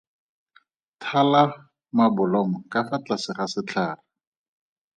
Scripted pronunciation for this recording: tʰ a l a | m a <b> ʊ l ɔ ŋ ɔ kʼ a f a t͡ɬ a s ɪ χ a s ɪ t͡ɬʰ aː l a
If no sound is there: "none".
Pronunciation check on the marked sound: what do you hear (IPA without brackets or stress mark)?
b